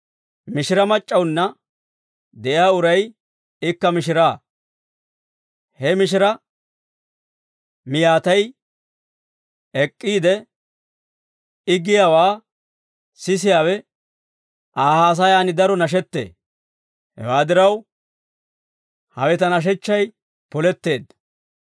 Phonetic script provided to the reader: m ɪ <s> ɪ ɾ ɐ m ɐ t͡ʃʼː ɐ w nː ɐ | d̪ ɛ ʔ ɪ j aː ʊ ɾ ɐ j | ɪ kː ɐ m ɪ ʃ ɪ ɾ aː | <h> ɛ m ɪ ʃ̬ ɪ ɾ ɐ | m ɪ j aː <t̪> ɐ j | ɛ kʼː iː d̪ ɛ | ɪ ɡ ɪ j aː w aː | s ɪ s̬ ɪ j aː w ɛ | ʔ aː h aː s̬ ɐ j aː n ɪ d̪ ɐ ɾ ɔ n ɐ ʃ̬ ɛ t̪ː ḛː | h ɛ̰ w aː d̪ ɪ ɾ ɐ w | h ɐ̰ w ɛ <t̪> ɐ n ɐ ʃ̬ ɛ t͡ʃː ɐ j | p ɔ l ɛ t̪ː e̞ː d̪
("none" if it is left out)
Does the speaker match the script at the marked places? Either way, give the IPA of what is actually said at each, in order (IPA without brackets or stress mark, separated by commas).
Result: ʃ, h, t̪, t̪